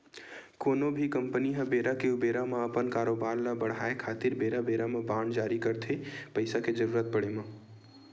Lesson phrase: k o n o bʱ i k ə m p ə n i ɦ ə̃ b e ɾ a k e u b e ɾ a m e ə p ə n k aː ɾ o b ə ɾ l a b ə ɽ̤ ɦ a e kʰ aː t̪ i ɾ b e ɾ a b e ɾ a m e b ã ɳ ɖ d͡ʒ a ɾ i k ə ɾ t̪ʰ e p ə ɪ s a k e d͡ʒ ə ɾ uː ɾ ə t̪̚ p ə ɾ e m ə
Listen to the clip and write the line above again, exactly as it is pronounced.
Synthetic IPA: k o n o bʱ i k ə m p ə n i ɦ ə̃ b e ɾ a k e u b e ɾ a m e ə p ə n k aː ɾ o b a ɾ l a b ə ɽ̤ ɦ a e kʰ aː t̪ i ɾ b e ɾ a b e ɾ a m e b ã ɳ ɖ d͡ʒ a ɾ i k ə ɾ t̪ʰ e p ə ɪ s a k e d͡ʒ ə ɾ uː ɾ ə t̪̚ p ə ɽ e m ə